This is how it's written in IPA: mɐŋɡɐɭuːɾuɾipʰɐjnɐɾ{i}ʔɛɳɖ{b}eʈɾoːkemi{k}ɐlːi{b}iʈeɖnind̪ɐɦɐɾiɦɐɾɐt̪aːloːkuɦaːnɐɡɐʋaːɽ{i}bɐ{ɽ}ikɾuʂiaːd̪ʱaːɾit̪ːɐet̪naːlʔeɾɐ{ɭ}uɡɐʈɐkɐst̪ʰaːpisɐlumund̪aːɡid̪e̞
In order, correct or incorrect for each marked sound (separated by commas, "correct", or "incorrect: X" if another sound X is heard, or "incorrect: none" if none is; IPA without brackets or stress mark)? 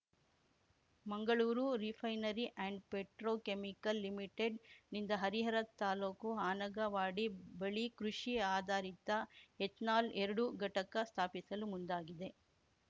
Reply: correct, incorrect: p, correct, incorrect: m, correct, incorrect: ɭ, incorrect: ɽ